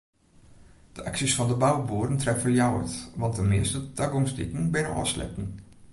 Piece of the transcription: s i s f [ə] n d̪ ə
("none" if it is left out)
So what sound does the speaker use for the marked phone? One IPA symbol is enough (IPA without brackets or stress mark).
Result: ɑ